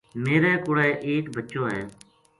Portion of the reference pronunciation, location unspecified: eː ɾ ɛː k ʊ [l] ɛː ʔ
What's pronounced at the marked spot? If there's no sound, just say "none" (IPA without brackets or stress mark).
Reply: ɽ